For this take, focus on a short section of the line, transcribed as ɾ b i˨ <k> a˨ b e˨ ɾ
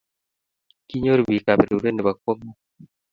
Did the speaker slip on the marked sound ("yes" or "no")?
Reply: no